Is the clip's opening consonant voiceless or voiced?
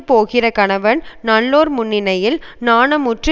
voiceless